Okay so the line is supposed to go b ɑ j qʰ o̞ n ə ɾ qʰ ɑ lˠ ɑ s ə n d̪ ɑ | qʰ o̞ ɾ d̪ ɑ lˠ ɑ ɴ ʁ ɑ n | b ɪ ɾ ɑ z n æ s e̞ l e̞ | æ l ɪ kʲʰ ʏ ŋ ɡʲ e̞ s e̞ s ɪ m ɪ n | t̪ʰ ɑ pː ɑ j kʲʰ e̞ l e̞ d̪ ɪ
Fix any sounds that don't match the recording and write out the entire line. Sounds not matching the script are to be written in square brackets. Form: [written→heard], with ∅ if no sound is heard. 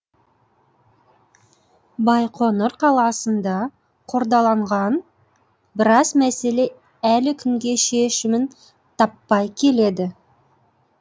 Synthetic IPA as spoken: b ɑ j qʰ o̞ n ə ɾ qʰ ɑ lˠ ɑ s ə n d̪ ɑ | qʰ o̞ ɾ d̪ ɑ lˠ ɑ ɴ ʁ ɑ n | b ɪ ɾ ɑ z [n→m] æ s e̞ l e̞ | æ l ɪ kʲʰ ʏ ŋ ɡʲ e̞ [s→ʃ] e̞ [s→ʃ] ɪ m ɪ n | t̪ʰ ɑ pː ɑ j kʲʰ e̞ l e̞ d̪ ɪ